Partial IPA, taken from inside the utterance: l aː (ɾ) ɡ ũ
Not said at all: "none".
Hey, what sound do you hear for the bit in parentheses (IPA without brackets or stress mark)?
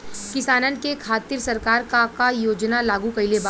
none